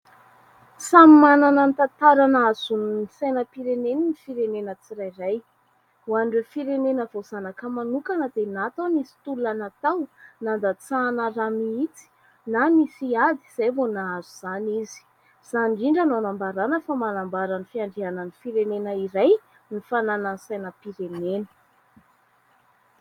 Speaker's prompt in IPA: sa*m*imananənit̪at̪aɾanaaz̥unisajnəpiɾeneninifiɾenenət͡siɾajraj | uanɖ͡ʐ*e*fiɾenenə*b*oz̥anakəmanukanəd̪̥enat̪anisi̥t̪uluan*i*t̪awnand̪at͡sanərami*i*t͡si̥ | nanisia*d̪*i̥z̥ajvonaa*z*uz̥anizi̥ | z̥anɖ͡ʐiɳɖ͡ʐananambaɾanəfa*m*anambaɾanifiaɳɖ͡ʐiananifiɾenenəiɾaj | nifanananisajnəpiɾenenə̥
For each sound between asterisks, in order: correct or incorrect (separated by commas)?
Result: correct, correct, incorrect, incorrect, correct, correct, correct, correct